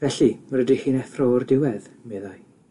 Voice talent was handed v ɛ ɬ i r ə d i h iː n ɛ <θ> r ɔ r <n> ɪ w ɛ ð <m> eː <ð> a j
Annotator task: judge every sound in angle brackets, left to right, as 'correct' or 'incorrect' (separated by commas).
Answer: correct, incorrect, correct, correct